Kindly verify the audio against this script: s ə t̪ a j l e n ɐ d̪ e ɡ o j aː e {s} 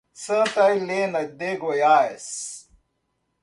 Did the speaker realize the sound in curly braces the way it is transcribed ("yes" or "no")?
yes